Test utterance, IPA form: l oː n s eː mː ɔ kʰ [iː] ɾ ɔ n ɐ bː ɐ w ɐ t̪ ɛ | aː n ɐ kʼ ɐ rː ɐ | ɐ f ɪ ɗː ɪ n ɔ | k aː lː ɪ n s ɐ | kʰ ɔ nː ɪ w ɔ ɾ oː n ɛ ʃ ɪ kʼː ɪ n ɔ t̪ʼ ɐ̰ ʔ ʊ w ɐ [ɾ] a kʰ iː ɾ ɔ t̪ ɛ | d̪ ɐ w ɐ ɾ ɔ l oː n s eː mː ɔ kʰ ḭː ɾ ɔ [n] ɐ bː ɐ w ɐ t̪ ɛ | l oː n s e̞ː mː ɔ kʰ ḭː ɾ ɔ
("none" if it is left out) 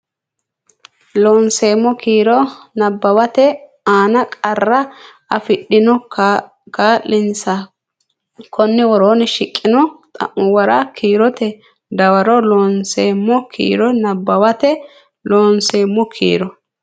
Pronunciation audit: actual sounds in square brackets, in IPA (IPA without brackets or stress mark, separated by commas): iː, ɾ, n